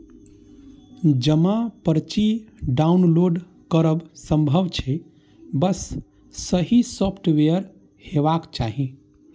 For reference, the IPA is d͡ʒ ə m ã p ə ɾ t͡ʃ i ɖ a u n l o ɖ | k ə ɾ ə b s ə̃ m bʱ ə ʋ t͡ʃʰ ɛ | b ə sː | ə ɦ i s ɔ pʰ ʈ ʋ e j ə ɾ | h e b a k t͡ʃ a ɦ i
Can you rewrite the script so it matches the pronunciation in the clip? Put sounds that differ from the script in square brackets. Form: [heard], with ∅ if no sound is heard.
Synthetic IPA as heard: d͡ʒ ə m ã p ə ɾ t͡ʃ i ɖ a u n l o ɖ | k ə ɾ ə b s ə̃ m bʱ ə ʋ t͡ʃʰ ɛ | b ə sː | ə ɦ i s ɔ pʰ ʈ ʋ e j ə ɾ | h e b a k t͡ʃ a ɦ i